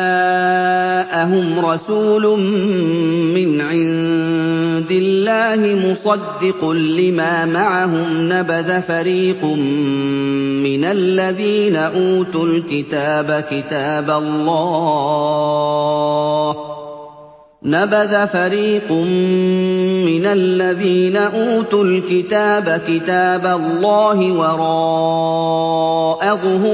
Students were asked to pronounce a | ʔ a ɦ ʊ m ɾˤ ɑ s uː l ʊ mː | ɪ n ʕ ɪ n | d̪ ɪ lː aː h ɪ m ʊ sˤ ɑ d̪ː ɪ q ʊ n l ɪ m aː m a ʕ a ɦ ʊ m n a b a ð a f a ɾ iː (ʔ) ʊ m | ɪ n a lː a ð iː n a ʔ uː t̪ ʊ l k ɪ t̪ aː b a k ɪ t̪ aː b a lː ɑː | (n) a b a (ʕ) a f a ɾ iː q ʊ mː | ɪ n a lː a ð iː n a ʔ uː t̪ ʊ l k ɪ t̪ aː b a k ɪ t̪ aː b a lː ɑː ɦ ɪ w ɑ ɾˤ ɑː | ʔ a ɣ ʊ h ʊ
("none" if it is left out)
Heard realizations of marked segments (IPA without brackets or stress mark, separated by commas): q, n, ð